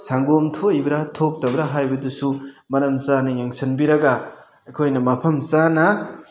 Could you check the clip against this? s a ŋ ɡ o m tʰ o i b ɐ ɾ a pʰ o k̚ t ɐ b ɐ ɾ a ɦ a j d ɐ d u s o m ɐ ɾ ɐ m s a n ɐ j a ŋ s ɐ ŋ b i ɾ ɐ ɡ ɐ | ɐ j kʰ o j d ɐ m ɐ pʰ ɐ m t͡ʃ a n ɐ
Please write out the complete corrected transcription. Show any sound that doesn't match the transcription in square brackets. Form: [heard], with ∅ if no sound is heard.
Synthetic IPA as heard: s a ŋ ɡ o m tʰ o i b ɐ ɾ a [tʰ] o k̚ t ɐ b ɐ ɾ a ɦ a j [b] ɐ d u s [u] m ɐ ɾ ɐ m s a n ɐ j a ŋ s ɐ [n] b i ɾ ɐ ɡ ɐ | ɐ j kʰ o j [n] ɐ m ɐ pʰ ɐ m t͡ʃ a n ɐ